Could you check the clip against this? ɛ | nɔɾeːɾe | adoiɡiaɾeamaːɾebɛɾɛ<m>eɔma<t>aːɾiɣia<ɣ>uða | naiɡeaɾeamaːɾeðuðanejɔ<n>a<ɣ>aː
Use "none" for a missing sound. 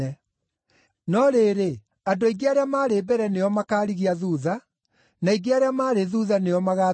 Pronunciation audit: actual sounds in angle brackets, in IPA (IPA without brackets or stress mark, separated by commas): n, k, ð, m, ɣ